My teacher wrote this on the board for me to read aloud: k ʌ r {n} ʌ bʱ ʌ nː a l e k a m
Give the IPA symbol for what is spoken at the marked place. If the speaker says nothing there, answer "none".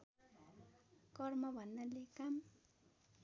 m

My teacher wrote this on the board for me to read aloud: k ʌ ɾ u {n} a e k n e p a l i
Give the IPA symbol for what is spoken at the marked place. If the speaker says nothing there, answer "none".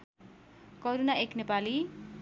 n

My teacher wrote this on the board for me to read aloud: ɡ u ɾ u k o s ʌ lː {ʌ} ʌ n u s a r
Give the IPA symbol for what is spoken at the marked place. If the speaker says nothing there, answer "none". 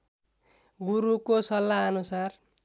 a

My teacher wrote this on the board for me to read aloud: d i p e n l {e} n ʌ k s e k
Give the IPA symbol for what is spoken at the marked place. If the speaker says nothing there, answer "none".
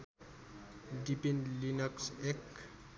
i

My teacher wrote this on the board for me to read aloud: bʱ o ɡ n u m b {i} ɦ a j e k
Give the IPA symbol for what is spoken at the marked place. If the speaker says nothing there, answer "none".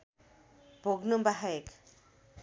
a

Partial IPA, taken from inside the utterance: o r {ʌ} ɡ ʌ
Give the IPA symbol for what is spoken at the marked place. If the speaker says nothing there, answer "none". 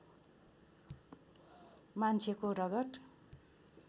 ʌ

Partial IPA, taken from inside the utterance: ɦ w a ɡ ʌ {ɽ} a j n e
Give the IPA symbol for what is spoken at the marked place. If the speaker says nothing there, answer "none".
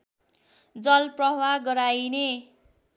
ɾ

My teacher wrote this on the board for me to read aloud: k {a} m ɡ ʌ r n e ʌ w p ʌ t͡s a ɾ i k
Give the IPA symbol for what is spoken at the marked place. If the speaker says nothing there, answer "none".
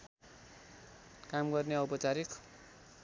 a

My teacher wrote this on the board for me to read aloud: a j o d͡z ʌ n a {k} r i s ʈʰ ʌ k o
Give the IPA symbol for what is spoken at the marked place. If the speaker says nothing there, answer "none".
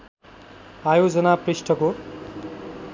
p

